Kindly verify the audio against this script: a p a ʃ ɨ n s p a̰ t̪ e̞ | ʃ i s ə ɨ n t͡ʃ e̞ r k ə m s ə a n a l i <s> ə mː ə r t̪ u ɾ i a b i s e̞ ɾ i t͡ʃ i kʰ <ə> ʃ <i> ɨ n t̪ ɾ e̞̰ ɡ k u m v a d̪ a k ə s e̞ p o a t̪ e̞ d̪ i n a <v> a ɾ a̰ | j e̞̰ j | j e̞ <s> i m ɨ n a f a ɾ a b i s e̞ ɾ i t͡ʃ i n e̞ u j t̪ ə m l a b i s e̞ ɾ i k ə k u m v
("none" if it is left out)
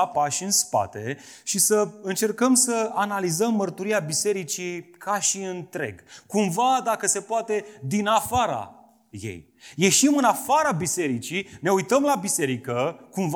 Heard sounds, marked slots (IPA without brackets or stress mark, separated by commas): z, a, i, f, ʃ